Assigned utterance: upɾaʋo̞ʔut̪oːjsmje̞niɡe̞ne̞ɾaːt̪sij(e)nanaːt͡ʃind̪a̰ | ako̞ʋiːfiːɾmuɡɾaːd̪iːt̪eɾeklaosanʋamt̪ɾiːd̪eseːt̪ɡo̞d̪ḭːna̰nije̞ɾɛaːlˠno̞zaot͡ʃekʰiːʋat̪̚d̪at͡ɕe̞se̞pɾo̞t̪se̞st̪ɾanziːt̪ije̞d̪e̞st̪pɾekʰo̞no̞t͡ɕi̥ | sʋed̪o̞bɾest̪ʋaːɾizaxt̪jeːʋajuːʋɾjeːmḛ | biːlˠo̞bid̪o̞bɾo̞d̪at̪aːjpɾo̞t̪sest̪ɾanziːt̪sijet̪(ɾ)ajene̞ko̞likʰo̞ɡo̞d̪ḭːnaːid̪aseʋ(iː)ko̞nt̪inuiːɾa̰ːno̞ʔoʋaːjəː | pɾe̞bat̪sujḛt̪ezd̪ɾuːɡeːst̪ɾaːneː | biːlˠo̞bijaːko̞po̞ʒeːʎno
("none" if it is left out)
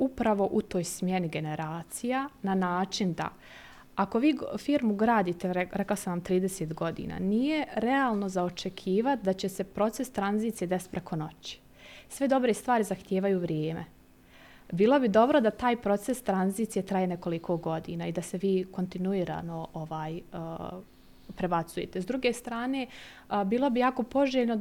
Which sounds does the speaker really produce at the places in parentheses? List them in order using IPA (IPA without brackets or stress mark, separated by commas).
a, ɾ, iː